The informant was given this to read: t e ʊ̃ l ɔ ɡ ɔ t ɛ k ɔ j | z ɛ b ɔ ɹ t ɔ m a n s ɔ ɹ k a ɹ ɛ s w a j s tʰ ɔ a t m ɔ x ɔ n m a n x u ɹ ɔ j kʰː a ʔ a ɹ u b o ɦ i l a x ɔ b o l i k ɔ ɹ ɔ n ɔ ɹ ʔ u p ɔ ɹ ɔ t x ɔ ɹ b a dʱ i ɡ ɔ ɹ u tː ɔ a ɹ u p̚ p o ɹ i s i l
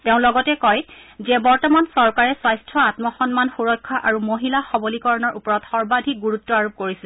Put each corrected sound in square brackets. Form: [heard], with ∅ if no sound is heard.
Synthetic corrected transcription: t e ʊ̃ l ɔ ɡ ɔ t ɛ k ɔ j | z ɛ b ɔ ɹ t ɔ m a n s ɔ ɹ k a ɹ ɛ s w a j s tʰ ɔ a t m ɔ x ɔ n m a n x u ɹ ɔ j kʰː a ʔ a ɹ u [m] o ɦ i l a x ɔ b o l i k ɔ ɹ ɔ n ɔ ɹ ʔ u p ɔ ɹ ɔ t x ɔ ɹ b a dʱ i ɡ [u] ɹ u tː ɔ a ɹ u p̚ [k] o ɹ i s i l